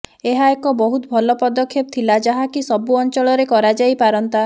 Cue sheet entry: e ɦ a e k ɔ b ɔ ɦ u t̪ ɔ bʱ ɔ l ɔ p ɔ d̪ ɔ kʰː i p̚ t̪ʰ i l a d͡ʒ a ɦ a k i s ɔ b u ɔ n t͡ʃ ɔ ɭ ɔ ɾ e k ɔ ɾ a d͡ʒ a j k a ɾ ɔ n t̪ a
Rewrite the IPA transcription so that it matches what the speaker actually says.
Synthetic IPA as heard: e ɦ a e k ɔ b ɔ ɦ u t̪ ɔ bʱ ɔ l ɔ p ɔ d̪ ɔ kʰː e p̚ t̪ʰ i l a d͡ʒ a ɦ a k i s ɔ b u ɔ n t͡ʃ ɔ ɭ ɔ ɾ e k ɔ ɾ a d͡ʒ a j p a ɾ ɔ n t̪ a